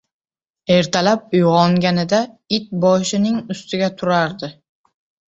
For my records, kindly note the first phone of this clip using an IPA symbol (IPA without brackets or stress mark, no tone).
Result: e̞